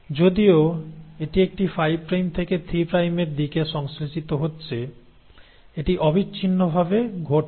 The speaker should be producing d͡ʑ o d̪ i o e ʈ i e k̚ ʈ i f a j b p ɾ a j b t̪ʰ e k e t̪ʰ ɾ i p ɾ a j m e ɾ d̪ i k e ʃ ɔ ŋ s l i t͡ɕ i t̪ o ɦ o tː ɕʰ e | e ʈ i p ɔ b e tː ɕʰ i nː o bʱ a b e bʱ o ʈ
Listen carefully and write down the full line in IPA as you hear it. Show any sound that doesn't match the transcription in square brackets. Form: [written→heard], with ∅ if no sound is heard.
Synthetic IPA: d͡ʑ o d̪ i o e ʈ i e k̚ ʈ i f a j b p ɾ a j [b→m] t̪ʰ e k e t̪ʰ ɾ i p ɾ a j m e ɾ d̪ i k e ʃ ɔ ŋ s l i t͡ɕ i t̪ o ɦ o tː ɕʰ e | e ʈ i [p→ʔ] ɔ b [e→i] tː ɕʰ i nː o bʱ a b e [bʱ→ɡʱ] o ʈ